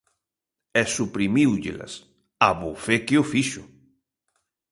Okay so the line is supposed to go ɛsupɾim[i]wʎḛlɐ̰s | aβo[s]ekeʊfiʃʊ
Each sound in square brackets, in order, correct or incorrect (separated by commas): correct, incorrect